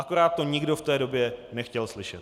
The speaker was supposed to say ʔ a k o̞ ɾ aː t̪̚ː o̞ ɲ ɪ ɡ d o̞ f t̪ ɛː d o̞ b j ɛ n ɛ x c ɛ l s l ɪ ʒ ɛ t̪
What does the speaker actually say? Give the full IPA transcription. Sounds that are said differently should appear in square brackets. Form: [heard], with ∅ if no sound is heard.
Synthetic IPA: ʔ a k o̞ ɾ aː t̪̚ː o̞ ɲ ɪ ɡ d o̞ f t̪ ɛː d o̞ b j ɛ n ɛ x c ɛ l s l ɪ [ʃ] ɛ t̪